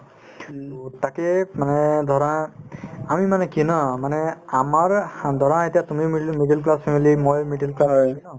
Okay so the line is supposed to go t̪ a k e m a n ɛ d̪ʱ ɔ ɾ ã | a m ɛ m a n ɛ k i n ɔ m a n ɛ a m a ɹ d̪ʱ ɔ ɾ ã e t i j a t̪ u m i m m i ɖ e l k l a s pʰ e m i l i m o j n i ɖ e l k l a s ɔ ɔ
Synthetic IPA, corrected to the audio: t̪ a k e m a n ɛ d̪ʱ ɔ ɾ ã | a m i m a n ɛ k i n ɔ m a n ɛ a m a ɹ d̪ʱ ɔ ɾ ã e t i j a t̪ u m i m m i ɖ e l k l a s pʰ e m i l i m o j m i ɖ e l k l a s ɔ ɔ